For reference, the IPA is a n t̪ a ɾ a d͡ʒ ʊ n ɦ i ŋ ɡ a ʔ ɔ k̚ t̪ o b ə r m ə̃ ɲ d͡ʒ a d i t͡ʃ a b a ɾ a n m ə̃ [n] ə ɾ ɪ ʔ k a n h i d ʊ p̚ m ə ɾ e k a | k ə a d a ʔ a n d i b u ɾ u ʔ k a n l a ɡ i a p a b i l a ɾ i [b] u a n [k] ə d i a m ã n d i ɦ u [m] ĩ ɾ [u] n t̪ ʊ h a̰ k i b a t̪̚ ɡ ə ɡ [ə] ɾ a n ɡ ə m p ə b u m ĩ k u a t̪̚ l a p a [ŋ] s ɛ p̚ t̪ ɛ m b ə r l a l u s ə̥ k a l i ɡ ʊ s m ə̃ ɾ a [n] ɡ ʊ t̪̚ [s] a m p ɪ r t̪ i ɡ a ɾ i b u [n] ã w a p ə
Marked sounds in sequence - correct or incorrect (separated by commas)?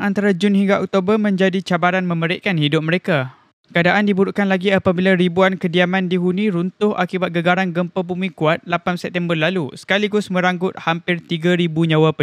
incorrect, correct, correct, incorrect, correct, incorrect, incorrect, incorrect, incorrect, incorrect